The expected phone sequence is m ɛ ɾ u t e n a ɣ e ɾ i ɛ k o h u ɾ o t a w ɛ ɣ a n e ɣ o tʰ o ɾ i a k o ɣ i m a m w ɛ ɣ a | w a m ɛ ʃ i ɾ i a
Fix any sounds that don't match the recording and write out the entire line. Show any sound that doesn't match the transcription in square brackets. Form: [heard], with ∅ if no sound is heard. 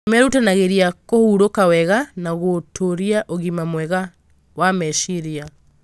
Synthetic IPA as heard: m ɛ ɾ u t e n a ɣ e ɾ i [a] k o h u ɾ o [k] a w ɛ ɣ a n [a] ɣ o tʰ o ɾ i a [ʔ] o ɣ i m a m w ɛ ɣ a | w a m ɛ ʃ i ɾ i a